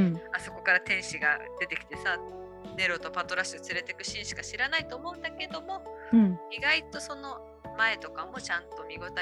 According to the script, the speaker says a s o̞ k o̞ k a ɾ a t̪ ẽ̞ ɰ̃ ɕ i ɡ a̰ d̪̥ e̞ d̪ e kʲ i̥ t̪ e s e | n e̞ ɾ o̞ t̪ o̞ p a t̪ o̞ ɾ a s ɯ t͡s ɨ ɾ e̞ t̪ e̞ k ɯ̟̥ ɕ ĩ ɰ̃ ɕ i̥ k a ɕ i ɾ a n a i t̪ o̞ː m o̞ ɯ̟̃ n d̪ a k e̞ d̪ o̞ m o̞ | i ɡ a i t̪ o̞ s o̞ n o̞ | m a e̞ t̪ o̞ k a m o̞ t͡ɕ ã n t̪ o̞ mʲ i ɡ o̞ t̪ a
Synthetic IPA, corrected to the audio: a s o̞ k o̞ k a ɾ a t̪ ẽ̞ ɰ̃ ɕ i ɡ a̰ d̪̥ e̞ t̪ e kʲ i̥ t̪ e s a | n e̞ ɾ o̞ t̪ o̞ p a t̪ o̞ ɾ a s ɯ t͡s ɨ ɾ e̞ t̪ e̞ k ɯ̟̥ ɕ ĩ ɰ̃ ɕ i̥ k a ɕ i ɾ a n a i t̪ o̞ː m o̞ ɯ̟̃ n d̪ a k e̞ d̪ o̞ m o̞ | i ɡ a i t̪ o̞ s o̞ n o̞ | m a e̞ t̪ o̞ k a m o̞ t͡ɕ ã n t̪ o̞ mʲ i ɡ o̞ t̪ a